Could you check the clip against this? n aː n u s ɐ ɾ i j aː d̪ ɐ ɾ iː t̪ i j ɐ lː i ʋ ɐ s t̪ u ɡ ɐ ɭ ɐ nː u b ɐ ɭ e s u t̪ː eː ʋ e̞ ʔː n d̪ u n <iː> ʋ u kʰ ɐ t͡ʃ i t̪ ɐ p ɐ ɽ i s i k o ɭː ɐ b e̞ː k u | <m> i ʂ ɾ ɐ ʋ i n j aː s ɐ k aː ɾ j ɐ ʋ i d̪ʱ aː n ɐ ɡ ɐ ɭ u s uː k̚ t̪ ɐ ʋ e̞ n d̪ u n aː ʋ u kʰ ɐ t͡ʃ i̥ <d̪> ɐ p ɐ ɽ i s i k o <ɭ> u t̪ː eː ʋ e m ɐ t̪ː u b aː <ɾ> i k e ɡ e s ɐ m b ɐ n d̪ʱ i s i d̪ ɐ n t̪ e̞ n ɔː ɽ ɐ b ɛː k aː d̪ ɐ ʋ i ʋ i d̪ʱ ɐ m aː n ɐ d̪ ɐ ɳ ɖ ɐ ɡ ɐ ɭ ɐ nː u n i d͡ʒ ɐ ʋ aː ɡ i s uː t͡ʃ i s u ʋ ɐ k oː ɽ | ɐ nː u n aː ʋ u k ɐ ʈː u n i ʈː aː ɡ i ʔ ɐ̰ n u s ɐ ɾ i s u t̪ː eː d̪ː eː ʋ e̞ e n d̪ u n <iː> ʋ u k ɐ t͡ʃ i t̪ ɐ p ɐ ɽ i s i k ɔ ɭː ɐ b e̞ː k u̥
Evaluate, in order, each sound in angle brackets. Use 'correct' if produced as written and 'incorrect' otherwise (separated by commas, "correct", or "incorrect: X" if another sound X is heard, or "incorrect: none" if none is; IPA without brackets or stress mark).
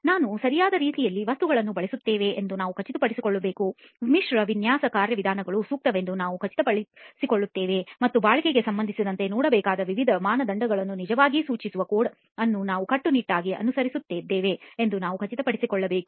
incorrect: aː, correct, incorrect: t̪, incorrect: ɭː, incorrect: ɭ, incorrect: aː